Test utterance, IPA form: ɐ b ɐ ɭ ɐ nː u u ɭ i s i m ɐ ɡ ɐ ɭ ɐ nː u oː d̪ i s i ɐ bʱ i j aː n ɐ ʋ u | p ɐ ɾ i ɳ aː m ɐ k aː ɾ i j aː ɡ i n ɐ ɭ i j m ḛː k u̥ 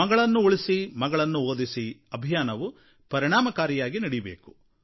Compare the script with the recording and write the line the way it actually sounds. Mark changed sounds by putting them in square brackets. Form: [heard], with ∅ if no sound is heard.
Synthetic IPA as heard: ɐ [ɡ] ɐ ɭ ɐ nː u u ɭ i s i m ɐ ɡ ɐ ɭ ɐ nː u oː d̪ i s i ɐ bʱ i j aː n ɐ ʋ u | p ɐ ɾ i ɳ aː m ɐ k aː ɾ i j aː ɡ i n ɐ [ɽ] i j [b] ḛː k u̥